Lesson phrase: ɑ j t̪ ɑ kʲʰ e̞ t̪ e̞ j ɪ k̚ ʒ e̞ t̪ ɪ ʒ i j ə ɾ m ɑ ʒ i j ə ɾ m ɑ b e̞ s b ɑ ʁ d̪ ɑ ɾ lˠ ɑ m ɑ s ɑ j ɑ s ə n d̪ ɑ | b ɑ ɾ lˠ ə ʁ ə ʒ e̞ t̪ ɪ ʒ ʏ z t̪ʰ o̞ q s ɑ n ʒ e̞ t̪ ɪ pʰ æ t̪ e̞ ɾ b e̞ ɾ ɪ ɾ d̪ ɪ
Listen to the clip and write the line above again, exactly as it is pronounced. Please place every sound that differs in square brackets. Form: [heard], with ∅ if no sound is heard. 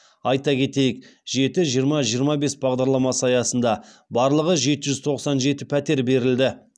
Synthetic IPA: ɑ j t̪ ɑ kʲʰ e̞ t̪ e̞ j ɪ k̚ ʒ e̞ t̪ ɪ ʒ i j ə ɾ m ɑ ʒ i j ə ɾ m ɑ b e̞ s b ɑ ʁ d̪ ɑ ɾ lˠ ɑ m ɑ s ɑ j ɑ s ə n d̪ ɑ | b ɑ ɾ lˠ ə ʁ ə ʒ e̞ t̪ ɪ ʒ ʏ z t̪ʰ o̞ q s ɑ n ʒ e̞ t̪ ɪ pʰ æ t̪ e̞ ɾ b e̞ ɾ ɪ [l] d̪ ɪ